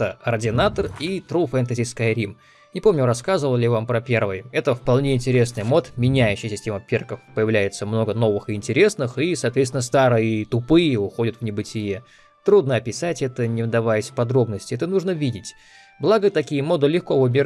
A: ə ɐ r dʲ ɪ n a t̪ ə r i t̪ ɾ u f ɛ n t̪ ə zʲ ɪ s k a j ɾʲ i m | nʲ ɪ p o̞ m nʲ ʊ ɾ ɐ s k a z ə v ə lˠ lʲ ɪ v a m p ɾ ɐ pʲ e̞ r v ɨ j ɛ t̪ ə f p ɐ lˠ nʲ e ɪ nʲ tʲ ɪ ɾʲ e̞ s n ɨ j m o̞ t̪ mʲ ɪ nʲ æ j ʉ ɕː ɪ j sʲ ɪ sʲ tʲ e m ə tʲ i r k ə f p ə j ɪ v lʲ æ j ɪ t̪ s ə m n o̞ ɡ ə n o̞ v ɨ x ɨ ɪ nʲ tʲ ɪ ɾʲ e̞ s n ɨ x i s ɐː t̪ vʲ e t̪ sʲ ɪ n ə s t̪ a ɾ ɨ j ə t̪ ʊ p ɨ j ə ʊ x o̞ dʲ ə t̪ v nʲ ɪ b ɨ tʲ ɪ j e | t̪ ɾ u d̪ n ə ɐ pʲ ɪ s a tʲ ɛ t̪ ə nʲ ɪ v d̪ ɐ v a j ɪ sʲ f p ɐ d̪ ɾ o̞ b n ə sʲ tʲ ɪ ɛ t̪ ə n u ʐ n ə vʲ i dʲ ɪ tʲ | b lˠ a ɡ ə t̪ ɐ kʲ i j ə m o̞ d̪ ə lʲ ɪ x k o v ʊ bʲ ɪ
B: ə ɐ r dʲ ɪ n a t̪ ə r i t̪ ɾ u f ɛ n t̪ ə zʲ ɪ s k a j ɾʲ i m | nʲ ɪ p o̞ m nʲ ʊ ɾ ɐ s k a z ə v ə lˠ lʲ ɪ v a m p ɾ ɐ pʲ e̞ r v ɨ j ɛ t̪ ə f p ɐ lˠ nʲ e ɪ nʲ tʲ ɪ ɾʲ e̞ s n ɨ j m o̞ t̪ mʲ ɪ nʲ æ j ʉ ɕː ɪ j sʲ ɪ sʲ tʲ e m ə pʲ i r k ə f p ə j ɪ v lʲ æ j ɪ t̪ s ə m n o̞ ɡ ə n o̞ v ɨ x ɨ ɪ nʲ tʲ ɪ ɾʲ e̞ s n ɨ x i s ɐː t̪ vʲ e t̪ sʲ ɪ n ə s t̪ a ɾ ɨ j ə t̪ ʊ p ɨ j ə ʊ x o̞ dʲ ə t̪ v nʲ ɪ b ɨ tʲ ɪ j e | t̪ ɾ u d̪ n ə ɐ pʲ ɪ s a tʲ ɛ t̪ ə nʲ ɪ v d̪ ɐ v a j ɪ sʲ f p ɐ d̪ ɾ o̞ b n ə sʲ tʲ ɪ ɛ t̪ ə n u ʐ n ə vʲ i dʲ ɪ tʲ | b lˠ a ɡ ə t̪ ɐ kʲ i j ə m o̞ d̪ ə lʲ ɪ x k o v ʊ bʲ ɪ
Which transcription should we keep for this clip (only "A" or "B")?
B